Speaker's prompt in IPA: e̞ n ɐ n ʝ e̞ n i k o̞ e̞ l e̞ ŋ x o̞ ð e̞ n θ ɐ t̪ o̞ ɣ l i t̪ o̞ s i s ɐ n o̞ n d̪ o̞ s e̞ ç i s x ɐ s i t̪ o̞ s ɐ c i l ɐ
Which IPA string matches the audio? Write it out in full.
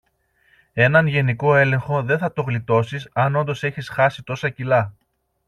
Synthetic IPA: e̞ n ɐ n ʝ e̞ n i k o̞ e̞ l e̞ ŋ x o̞ ð e̞ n θ ɐ t̪ o̞ ɣ l i t̪ o̞ s i s ɐ n o̞ n d̪ o̞ s e̞ ç i s x ɐ s i t̪ o̞ s ɐ c i l ɐ

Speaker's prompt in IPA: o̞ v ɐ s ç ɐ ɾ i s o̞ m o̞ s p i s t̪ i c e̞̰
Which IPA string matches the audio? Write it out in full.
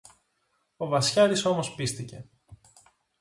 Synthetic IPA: o̞ v ɐ s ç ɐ ɾ i s o̞ m o̞ s p i s t̪ i c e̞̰

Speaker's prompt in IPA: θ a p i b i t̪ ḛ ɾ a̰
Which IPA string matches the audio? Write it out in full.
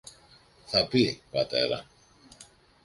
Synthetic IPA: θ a p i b a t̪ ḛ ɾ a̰

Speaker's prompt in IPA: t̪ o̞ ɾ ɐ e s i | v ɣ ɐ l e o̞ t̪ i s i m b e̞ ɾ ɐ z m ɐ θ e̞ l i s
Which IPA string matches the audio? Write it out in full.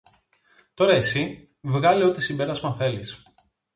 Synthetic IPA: t̪ o̞ ɾ ɐ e s i | v ɣ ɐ l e o̞ t̪ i s i m b e̞ ɾ ɐ z m ɐ θ e̞ l i s

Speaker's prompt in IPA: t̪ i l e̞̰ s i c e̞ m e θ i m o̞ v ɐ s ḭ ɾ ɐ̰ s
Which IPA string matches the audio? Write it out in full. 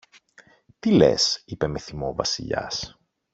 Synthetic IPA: t̪ i l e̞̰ s i p e̞ m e θ i m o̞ v ɐ s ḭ ʎ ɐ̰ s

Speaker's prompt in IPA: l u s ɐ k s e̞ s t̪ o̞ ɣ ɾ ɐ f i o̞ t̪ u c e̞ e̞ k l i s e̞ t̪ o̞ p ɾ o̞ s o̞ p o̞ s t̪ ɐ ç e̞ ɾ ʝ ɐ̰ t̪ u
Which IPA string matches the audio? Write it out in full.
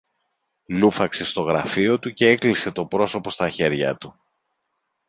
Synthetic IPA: l u f ɐ k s e̞ s t̪ o̞ ɣ ɾ ɐ f i o̞ t̪ u c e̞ e̞ k l i s e̞ t̪ o̞ p ɾ o̞ s o̞ p o̞ s t̪ ɐ ç e̞ ɾ ʝ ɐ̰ t̪ u

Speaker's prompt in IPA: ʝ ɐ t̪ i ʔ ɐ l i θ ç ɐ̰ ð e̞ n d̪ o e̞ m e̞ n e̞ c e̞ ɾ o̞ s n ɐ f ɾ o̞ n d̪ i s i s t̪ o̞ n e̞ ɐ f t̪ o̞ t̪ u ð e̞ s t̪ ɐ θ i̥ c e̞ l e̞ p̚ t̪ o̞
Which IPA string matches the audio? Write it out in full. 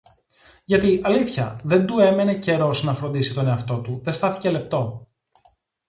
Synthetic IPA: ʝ ɐ t̪ i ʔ ɐ l i θ ç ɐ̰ ð e̞ n d̪ u e̞ m e̞ n e̞ c e̞ ɾ o̞ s n ɐ f ɾ o̞ n d̪ i s i t̪ o̞ n e̞ ɐ f t̪ o̞ t̪ u ð e̞ s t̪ ɐ θ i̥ c e̞ l e̞ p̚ t̪ o̞

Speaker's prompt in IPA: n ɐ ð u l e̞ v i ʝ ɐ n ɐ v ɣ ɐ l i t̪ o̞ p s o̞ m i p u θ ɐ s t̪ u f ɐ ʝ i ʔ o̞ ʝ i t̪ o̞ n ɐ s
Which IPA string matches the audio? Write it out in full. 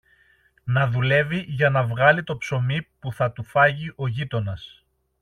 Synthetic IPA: n ɐ ð u l e̞ v i ʝ ɐ n ɐ v ɣ ɐ l i t̪ o̞ p s o̞ m i p u θ ɐ t̪ u f ɐ ʝ i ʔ o̞ ʝ i t̪ o̞ n ɐ s

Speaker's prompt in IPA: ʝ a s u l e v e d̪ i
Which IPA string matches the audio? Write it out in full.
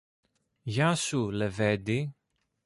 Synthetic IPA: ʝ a s u l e v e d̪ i

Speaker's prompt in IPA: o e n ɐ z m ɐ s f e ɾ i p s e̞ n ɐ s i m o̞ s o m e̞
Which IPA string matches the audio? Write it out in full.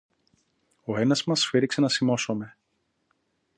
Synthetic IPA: o e n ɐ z m ɐ s f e ɾ i k s e̞ n ɐ s i m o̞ s o m e̞

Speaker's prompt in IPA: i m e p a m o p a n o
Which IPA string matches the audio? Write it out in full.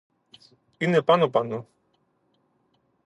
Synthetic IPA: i n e p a n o p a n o

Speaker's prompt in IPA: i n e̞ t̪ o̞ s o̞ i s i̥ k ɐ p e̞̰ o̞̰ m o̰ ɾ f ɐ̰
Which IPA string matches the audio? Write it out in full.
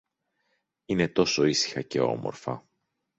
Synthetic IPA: i n e̞ t̪ o̞ s o̞ i s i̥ x ɐ c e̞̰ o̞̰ m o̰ ɾ f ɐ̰

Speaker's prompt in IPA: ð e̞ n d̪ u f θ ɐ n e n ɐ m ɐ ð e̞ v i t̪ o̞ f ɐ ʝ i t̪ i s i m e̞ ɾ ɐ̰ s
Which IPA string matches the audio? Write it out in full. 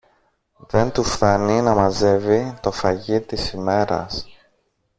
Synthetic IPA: ð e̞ n t̪ u f θ ɐ n i n ɐ m ɐ z e̞ v i t̪ o̞ f ɐ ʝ i t̪ i s i m e̞ ɾ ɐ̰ s

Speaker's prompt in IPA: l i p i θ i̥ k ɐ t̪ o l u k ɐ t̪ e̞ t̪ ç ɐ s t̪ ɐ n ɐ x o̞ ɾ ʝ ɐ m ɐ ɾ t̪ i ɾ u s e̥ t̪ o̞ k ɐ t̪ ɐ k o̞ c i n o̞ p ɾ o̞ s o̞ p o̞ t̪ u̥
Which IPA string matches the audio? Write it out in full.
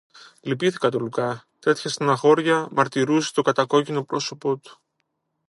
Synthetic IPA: l i p i θ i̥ k ɐ t̪ o l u k ɐ t̪ e̞ t̪ ç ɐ s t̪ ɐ n ɐ x o̞ ɾ ʝ ɐ m ɐ ɾ t̪ i ɾ u s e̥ t̪ o̞ k ɐ t̪ ɐ k o̞ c i n o̞ p ɾ o̞ s o̞ p o̞ t̪ u̥

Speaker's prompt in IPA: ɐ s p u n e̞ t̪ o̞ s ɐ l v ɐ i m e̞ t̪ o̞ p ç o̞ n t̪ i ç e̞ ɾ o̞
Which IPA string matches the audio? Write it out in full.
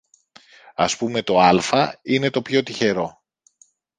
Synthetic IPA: ɐ s p u m e̞ t̪ o̞ ɐ l f ɐ i n e̞ t̪ o̞ p ç o̞ t̪ i ç e̞ ɾ o̞

